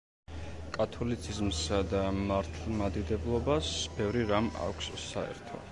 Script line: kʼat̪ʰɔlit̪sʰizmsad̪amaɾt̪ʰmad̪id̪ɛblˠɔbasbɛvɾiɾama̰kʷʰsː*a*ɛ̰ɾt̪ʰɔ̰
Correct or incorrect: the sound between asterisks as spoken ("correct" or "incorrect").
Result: correct